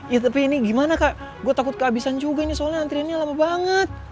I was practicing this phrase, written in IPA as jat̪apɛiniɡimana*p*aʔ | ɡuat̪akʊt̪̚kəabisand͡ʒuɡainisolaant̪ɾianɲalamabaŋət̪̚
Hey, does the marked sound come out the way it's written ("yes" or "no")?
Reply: no